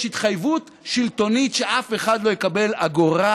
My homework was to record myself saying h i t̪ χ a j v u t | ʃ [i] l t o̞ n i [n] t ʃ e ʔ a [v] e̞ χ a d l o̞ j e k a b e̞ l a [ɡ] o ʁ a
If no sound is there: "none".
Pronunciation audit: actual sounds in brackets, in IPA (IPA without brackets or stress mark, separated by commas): i, none, f, ɡ